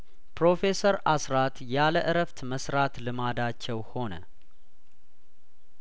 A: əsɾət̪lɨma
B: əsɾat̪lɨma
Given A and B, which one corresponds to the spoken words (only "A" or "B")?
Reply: B